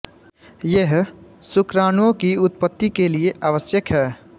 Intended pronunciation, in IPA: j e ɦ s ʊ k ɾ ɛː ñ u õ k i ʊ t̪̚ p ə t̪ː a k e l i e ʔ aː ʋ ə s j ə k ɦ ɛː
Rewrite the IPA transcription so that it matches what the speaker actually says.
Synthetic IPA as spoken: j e ɦ s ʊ k ɾ aː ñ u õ k i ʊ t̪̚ p ə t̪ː i k e l i e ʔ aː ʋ ə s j ə k ɦ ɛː